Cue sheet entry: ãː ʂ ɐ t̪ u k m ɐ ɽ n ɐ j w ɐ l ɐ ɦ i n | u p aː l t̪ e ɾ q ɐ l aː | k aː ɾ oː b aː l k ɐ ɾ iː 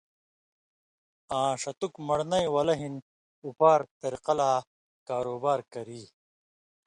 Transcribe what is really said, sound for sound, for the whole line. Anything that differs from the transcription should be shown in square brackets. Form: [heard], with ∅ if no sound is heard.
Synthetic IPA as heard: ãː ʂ ɐ t̪ u k m ɐ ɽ n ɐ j w ɐ l ɐ ɦ i n | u p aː [ɾ] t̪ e ɾ q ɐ l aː | k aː ɾ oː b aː [ɾ] k ɐ ɾ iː